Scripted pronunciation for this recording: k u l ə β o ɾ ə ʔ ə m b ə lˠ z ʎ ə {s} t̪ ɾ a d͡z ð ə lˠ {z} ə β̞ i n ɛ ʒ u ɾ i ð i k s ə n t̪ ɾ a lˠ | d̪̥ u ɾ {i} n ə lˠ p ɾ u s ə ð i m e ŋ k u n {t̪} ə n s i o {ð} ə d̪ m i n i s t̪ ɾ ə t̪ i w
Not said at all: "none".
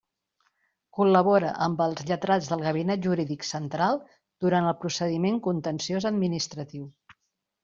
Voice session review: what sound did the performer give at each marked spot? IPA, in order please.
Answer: none, ɣ, a, t̪, z

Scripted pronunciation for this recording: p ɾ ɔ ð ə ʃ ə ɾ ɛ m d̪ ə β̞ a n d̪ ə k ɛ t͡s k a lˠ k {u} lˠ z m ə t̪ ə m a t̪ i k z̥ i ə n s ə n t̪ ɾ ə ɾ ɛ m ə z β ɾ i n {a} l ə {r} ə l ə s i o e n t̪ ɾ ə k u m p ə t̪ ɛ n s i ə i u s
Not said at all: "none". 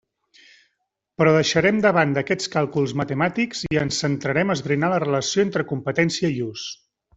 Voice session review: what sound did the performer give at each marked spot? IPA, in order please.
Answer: u, a, r

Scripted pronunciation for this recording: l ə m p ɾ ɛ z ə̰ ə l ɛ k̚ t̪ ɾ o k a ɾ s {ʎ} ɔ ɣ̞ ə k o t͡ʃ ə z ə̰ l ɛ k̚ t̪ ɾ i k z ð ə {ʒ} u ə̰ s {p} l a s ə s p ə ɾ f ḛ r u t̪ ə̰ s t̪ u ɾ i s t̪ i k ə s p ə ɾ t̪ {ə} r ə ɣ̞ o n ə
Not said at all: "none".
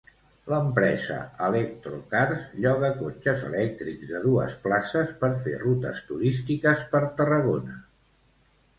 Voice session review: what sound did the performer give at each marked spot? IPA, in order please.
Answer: ʎ, ð, p, ə

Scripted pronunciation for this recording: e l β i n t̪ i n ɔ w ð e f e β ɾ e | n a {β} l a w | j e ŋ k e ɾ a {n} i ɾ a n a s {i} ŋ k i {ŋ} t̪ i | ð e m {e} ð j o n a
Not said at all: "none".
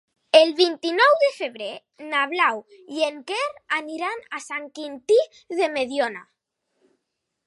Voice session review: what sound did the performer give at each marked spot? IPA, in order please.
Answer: β, n, a, n, e

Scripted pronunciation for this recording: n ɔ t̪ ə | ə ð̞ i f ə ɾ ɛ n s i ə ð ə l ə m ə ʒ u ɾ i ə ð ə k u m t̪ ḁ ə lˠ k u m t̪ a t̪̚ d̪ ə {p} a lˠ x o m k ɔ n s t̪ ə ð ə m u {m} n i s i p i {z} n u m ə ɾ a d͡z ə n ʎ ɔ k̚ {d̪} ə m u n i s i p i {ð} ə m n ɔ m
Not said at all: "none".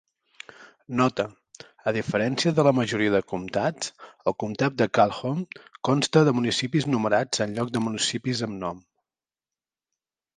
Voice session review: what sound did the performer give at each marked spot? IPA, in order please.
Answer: k, none, z, d̪, z

